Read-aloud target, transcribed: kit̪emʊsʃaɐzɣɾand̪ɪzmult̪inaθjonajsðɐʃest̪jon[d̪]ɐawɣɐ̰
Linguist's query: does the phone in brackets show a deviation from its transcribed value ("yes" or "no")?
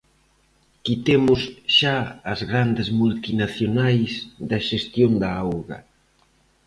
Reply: no